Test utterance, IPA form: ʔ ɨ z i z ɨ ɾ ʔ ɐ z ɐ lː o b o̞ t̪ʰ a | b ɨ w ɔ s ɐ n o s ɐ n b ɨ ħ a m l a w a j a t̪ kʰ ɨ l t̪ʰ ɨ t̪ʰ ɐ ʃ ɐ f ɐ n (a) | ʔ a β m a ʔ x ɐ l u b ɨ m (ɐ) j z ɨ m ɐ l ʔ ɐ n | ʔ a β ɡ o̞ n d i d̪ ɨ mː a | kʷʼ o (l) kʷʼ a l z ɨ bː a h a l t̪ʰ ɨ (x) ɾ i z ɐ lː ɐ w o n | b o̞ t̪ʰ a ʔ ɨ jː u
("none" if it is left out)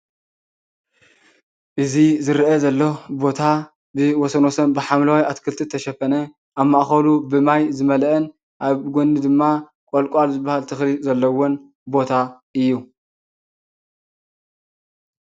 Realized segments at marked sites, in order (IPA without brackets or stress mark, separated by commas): ɐ, a, l, x